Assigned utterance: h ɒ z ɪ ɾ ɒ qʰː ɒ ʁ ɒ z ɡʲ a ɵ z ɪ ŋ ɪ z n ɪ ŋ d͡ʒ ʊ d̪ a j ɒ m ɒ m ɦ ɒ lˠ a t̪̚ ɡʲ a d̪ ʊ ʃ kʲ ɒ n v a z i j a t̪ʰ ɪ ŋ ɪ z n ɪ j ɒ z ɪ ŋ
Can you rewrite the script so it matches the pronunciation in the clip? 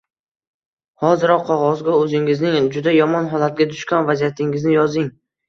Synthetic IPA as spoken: h ɒ z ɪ ɾ ɒ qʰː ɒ ʁ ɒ z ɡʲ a ɵ z ɪ ŋ ɪ z n ɪ ŋ d͡ʒ ʊ d̪ a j ɒ m ɒ n ɦ ɒ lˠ a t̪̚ ɡʲ a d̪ ʊ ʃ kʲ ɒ n v a z i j a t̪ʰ ɪ ŋ ɪ z n ɪ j ɒ z ɪ ŋ